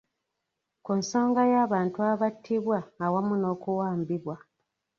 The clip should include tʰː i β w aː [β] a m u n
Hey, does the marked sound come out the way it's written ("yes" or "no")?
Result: no